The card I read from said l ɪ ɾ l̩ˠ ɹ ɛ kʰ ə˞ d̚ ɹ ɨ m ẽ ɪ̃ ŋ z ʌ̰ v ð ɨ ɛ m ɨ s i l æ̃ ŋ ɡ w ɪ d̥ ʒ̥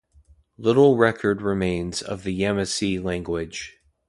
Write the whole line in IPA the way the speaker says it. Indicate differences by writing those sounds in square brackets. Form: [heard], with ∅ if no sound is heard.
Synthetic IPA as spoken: l ɪ ɾ l̩ˠ ɹ ɛ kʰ ə˞ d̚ ɹ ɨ m ẽ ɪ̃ [n] z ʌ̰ v ð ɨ ɛ m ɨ s i l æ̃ ŋ ɡ w ɪ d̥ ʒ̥